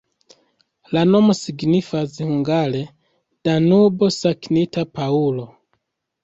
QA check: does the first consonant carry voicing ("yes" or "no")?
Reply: yes